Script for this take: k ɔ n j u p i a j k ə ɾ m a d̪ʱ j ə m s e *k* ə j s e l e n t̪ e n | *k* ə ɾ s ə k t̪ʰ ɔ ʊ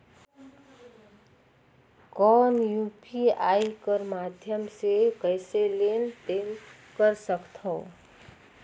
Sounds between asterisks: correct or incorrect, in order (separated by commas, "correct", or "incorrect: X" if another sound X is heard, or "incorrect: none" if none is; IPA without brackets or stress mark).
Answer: correct, correct